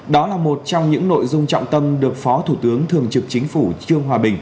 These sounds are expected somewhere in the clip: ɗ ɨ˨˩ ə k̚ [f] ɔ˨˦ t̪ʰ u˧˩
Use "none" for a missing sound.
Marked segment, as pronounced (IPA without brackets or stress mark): f